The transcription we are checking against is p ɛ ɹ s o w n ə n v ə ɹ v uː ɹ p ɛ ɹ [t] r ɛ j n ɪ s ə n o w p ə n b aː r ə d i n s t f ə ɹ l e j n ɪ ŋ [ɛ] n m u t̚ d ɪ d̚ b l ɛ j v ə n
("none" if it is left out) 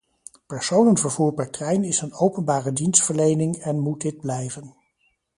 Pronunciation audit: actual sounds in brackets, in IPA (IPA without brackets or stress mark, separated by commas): t, ɛ